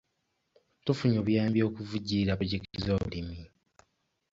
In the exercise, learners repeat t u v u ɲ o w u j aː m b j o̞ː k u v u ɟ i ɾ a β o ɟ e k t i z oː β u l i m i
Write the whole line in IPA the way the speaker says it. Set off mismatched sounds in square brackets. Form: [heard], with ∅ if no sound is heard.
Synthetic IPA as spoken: t u [f] u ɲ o [β] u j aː m b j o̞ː k u v u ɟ i ɾ a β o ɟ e k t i z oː β u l i m i